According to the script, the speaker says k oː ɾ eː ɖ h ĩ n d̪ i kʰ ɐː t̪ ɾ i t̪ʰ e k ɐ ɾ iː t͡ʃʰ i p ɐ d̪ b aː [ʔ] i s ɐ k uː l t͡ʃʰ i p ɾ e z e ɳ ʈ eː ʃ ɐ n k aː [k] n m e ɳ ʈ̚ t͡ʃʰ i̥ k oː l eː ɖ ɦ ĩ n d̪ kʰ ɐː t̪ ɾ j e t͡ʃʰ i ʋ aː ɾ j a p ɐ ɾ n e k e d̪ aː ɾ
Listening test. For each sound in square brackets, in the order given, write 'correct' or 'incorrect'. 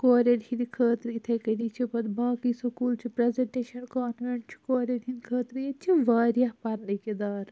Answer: incorrect, incorrect

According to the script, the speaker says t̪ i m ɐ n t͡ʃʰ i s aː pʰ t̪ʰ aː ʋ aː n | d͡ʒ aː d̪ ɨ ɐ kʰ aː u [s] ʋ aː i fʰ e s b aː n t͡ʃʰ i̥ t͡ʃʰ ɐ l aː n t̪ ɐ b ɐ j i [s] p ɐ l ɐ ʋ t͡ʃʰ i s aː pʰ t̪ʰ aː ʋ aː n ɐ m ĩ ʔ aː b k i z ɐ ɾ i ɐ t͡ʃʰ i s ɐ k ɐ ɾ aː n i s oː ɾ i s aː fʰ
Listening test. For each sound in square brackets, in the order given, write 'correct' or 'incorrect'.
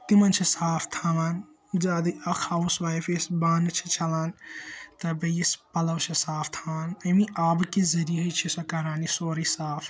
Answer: correct, correct

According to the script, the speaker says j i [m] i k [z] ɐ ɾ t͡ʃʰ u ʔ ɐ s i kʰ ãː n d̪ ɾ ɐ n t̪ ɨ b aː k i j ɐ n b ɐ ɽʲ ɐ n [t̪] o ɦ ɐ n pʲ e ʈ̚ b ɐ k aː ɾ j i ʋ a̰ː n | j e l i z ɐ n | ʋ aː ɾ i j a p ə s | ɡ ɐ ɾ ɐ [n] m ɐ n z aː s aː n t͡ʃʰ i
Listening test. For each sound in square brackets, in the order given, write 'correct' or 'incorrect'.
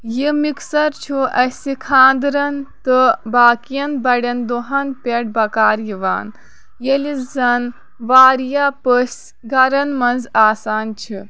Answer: correct, incorrect, incorrect, correct

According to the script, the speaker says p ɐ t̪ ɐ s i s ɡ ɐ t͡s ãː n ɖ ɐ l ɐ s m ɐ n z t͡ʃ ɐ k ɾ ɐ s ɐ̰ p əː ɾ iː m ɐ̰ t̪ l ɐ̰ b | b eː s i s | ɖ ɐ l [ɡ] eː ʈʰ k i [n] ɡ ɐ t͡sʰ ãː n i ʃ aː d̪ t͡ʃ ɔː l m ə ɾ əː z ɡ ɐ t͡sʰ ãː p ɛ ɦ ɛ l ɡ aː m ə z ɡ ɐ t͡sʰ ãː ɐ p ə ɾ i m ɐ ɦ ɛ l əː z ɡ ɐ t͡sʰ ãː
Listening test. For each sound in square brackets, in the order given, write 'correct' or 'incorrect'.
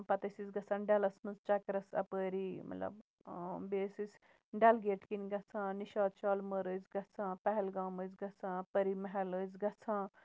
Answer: correct, correct

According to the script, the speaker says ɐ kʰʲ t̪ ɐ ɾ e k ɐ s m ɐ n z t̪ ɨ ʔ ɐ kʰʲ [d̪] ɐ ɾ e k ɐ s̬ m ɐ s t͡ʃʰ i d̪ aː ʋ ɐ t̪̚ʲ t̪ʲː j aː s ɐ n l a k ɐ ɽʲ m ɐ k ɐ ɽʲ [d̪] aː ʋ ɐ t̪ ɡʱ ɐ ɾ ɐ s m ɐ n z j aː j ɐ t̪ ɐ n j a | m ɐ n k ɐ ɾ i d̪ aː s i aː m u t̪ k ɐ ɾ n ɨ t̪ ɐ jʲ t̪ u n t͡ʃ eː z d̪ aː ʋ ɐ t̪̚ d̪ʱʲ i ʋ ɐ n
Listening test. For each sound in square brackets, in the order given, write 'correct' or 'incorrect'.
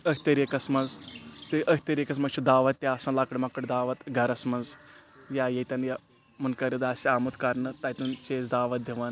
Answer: incorrect, correct

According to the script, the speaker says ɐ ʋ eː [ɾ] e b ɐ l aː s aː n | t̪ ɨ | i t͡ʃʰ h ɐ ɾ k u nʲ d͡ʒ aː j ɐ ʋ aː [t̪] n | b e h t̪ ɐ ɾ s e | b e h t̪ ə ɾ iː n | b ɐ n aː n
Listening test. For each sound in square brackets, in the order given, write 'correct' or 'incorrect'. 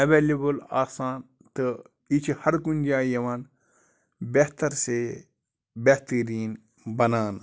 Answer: incorrect, incorrect

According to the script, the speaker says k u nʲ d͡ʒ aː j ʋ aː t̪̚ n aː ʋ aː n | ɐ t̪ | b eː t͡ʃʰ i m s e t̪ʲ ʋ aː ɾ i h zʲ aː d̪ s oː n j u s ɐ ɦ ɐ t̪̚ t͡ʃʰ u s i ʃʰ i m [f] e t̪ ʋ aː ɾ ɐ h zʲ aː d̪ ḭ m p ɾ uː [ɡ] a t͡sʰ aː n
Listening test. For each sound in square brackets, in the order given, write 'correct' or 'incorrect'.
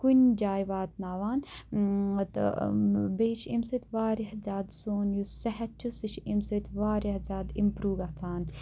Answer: incorrect, correct

